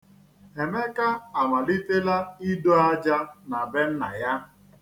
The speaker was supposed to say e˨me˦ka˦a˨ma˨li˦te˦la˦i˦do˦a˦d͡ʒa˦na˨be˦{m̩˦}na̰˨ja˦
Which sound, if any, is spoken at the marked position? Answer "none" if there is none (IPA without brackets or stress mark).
n̩˦